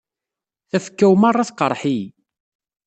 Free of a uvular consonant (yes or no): no